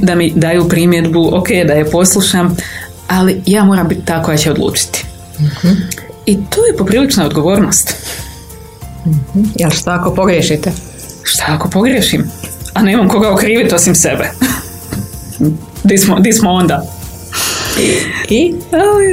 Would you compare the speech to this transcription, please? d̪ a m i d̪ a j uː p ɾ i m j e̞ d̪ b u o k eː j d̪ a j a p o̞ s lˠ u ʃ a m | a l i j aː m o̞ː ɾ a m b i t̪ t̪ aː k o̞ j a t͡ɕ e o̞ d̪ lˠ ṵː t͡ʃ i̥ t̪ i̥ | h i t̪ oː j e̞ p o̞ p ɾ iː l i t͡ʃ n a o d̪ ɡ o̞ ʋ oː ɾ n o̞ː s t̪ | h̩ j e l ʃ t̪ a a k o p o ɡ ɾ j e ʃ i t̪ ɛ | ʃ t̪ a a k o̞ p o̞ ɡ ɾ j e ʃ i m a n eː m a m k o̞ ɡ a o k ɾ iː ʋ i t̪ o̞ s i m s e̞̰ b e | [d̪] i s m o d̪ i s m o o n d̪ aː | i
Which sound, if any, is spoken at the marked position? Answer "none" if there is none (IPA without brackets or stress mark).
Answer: d̪